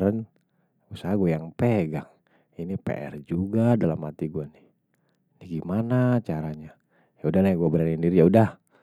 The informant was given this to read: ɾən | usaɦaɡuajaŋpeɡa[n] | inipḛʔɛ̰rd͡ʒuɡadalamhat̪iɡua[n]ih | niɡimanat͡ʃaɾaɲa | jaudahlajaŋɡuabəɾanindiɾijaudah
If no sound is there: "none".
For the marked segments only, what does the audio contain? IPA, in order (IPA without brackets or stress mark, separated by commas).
ŋ, n